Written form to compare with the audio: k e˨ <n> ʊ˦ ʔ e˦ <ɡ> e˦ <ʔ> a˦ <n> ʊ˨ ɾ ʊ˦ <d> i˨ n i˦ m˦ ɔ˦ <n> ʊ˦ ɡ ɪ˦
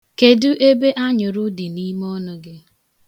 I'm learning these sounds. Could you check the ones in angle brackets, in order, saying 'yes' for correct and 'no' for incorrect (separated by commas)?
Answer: no, no, yes, no, yes, yes